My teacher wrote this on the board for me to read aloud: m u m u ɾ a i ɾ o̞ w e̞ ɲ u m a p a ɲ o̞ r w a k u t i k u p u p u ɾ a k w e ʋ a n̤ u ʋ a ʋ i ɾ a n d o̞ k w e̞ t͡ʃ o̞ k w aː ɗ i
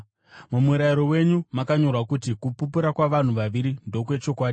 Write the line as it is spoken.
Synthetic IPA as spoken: m u m u ɾ a i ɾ o̞ w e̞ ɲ u m a k a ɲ o̞ r w a k u t i k u p u p u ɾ a k w a ʋ a n̤ u ʋ a ʋ i ɾ i n d o̞ k w e̞ t͡ʃ o̞ k w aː ɗ i